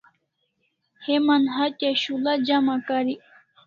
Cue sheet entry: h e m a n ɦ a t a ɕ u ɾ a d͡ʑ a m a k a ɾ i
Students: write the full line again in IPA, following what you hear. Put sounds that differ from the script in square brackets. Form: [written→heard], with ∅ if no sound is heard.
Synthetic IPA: h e m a n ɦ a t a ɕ u [ɾ→l] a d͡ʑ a m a k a ɾ i

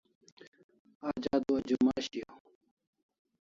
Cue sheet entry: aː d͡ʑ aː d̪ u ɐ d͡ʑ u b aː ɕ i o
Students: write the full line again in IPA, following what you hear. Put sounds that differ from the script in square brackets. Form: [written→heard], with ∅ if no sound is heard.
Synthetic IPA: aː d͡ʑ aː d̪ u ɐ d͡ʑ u [b→m] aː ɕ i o

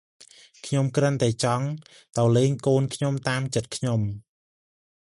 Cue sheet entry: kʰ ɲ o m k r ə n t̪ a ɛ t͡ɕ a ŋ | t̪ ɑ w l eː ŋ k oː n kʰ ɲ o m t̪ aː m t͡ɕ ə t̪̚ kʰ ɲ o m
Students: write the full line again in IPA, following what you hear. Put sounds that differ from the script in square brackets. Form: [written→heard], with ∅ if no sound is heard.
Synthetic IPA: kʰ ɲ o m k r ə n t̪ a ɛ t͡ɕ [a→ɑ] ŋ | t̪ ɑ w l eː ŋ k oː n kʰ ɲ o m t̪ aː m t͡ɕ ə t̪̚ kʰ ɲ o m

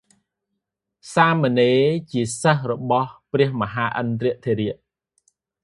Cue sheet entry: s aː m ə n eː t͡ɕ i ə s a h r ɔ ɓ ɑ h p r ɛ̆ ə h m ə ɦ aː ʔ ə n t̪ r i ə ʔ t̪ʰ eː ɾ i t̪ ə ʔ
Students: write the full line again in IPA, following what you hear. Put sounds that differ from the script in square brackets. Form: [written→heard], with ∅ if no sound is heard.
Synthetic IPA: s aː m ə n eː t͡ɕ i ə s [a→ə] h r ɔ ɓ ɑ h p r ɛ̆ ə h m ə ɦ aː ʔ ə n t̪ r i ə ʔ t̪ʰ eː ɾ i [t̪→∅] ə ʔ

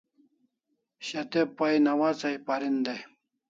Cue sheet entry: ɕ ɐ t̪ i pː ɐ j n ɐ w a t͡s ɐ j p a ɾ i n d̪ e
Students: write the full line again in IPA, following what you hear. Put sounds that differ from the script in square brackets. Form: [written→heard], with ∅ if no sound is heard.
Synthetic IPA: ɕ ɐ t̪ [i→e] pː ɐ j n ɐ w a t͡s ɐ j p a ɾ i n d̪ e

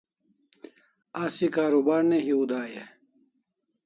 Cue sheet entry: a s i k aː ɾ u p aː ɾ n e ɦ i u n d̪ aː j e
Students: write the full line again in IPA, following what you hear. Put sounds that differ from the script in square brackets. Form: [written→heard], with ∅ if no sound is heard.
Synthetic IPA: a s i k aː ɾ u [p→b] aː ɾ n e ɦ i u [n→∅] d̪ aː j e

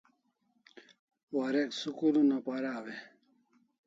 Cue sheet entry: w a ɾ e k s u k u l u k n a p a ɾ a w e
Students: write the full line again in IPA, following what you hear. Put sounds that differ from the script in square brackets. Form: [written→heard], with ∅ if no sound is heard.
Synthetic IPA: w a ɾ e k s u k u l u [k→∅] n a p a ɾ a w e

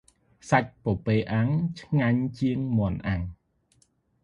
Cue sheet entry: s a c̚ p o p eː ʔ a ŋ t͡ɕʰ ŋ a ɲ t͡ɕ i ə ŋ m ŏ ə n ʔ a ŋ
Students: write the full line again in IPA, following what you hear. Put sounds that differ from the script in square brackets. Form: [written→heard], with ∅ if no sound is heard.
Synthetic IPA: s a c̚ p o p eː ʔ a ŋ t͡ɕʰ ŋ a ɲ t͡ɕ i ə ŋ m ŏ ə n ʔ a ŋ

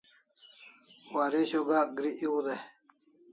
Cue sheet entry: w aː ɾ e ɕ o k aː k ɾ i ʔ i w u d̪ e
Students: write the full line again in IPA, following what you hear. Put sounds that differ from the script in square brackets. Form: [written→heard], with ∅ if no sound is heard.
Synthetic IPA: w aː ɾ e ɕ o [k→ɡ] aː [k→ɡ] ɾ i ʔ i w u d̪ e

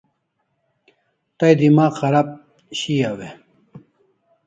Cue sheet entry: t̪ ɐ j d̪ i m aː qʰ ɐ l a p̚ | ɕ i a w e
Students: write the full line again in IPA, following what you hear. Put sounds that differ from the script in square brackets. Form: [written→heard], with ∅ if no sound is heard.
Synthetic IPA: t̪ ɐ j d̪ i m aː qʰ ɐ [l→ɾ] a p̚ | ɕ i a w e

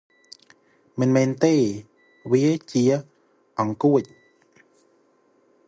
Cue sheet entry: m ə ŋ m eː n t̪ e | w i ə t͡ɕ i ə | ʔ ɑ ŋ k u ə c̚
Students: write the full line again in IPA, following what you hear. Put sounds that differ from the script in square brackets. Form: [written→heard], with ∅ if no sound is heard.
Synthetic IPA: m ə [ŋ→n] m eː n t̪ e | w i ə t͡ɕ i ə | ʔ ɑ ŋ k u ə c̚

